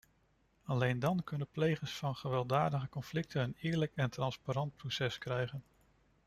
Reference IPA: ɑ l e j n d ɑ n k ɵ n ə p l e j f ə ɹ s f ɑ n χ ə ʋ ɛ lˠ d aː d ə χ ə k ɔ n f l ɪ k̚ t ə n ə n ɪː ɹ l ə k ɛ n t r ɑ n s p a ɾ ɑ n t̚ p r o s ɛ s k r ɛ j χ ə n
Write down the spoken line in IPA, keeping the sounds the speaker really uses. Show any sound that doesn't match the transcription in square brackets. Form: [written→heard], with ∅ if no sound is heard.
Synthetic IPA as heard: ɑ l e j n d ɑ n k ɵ n ə p l e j [f→χ] ə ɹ s f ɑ n χ ə ʋ ɛ lˠ d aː d ə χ ə k ɔ n f l ɪ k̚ t ə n ə n ɪː ɹ l ə k ɛ n t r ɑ n s p a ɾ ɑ n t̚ p r o s ɛ s k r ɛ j χ ə n